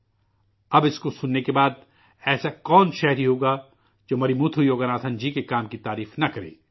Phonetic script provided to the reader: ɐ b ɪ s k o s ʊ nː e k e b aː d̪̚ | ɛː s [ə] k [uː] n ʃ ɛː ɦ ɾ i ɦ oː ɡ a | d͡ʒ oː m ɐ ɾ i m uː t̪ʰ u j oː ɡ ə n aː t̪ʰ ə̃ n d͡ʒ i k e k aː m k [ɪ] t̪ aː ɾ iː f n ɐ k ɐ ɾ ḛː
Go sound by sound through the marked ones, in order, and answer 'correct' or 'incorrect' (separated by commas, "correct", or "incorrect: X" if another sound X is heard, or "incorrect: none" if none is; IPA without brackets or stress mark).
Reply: incorrect: a, incorrect: ɔː, incorrect: i